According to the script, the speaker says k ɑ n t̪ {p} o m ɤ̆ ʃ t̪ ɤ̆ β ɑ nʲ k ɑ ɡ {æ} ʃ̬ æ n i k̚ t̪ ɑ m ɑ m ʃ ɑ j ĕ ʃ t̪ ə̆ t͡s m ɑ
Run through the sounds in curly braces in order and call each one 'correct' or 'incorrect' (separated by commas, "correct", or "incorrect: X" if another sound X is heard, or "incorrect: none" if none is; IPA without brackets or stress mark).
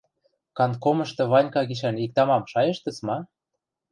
incorrect: k, incorrect: i